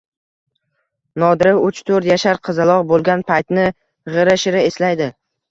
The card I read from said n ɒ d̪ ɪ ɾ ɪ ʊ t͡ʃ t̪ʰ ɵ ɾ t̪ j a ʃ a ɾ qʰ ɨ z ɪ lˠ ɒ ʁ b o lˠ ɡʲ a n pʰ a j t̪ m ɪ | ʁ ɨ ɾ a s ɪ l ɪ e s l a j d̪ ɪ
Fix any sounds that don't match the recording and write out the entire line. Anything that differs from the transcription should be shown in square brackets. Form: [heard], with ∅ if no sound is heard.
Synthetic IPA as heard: n ɒ d̪ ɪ ɾ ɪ ʊ t͡ʃ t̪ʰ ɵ ɾ t̪ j a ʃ a ɾ qʰ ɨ z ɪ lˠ ɒ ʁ b o lˠ ɡʲ a n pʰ a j t̪ [n] ɪ | ʁ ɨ ɾ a [ʃ] ɪ [ɾ] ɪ e s l a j d̪ ɪ